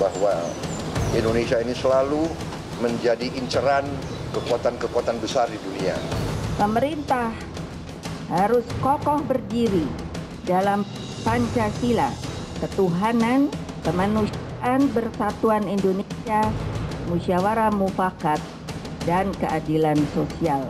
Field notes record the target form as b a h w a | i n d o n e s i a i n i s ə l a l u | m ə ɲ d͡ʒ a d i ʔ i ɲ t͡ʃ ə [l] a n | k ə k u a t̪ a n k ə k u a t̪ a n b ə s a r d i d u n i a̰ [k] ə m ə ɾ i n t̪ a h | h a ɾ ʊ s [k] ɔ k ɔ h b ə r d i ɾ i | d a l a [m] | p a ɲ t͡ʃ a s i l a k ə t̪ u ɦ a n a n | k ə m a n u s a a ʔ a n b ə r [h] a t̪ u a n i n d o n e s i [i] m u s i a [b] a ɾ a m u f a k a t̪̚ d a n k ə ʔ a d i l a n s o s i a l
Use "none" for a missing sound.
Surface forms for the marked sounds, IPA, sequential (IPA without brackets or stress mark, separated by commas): ɾ, p, k, m, s, a, w